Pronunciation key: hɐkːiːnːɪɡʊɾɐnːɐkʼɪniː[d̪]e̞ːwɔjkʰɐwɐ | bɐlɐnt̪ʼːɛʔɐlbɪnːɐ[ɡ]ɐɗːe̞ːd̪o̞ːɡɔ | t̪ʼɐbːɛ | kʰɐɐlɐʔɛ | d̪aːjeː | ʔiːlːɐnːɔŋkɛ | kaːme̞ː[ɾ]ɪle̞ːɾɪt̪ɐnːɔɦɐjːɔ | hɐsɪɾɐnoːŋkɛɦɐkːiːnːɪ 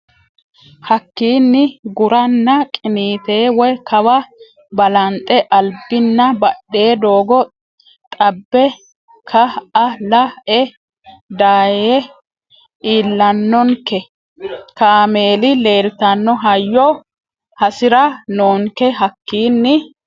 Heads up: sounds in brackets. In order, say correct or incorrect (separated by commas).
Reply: incorrect, incorrect, incorrect